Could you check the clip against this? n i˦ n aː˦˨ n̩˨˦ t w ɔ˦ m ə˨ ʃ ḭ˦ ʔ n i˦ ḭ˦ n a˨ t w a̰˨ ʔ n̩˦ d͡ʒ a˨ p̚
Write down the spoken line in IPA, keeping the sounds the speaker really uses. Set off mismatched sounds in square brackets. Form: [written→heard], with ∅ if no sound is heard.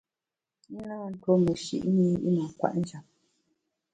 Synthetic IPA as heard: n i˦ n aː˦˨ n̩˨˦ t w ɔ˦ m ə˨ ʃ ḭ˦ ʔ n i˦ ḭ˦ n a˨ [t→k] w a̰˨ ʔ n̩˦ d͡ʒ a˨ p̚